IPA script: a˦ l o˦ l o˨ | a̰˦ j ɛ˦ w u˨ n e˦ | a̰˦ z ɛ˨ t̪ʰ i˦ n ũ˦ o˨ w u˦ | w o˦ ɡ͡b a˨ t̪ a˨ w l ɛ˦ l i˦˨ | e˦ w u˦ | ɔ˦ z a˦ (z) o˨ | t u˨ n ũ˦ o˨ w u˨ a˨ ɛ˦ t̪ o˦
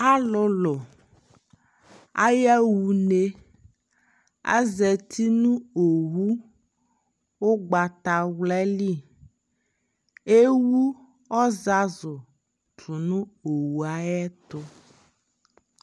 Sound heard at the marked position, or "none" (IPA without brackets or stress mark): z